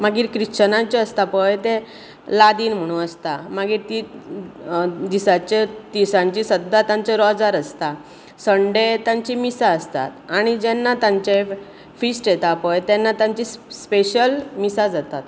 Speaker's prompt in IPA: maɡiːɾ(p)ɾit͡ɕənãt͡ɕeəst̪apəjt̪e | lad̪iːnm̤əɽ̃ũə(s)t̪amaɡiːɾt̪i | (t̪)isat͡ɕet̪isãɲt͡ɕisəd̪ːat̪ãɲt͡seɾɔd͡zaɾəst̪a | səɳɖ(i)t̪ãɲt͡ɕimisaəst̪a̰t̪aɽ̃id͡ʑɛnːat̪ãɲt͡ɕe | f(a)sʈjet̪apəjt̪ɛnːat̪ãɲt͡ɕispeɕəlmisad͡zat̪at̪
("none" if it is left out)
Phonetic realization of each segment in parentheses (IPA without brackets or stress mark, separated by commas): k, s, d̪, e, i